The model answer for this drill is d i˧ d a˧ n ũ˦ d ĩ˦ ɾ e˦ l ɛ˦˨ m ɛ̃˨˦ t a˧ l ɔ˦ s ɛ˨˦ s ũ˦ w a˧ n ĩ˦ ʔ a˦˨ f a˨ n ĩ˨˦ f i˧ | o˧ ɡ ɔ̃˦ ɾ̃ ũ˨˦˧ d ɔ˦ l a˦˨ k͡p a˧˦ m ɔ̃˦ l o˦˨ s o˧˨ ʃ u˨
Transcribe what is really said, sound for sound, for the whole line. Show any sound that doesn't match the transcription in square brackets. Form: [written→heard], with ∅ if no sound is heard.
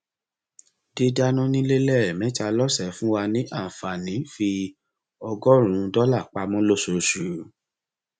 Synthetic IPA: d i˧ d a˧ n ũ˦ [d→n] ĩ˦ [ɾ→l] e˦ l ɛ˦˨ m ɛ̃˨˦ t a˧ l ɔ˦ s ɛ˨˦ [s→f] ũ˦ w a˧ n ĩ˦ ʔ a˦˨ f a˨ n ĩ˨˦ f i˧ | [o˧→ɔ˧] ɡ [ɔ̃˦→ɔ˦] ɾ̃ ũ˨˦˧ d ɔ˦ l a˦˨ k͡p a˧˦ m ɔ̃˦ l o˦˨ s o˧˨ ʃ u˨